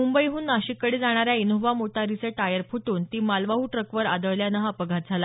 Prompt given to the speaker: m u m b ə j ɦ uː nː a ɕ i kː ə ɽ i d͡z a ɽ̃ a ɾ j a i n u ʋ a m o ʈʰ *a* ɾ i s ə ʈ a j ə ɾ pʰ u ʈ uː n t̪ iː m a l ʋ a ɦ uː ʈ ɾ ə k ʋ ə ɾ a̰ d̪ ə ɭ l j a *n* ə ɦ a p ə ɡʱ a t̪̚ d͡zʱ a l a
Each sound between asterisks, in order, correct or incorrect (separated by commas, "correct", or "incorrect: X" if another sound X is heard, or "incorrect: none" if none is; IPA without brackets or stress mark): correct, correct